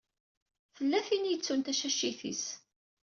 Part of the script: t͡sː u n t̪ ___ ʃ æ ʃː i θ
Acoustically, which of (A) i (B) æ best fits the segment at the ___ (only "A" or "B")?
B